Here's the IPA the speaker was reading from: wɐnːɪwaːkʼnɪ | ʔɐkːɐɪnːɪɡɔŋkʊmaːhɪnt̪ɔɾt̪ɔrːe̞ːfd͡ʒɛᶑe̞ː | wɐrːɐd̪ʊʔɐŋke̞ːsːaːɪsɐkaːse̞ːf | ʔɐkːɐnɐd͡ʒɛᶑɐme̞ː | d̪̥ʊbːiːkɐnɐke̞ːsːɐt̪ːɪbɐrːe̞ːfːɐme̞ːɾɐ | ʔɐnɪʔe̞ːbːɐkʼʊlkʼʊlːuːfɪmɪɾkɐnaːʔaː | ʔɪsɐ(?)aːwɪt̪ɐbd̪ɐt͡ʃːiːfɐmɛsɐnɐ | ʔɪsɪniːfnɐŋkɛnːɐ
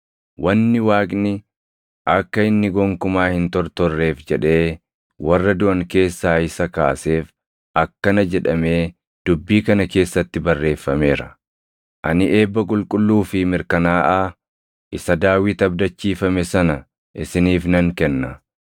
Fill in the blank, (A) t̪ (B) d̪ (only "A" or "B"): B